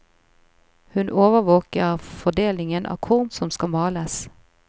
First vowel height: high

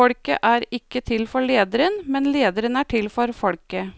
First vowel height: mid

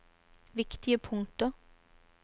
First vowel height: high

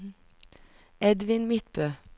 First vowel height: mid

